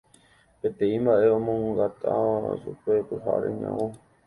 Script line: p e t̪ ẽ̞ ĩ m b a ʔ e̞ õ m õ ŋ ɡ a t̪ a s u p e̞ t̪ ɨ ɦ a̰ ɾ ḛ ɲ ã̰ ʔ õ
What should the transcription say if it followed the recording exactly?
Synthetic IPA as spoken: p e t̪ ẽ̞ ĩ m b a ʔ e̞ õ m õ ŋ ɡ a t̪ a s u p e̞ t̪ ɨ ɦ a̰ ɾ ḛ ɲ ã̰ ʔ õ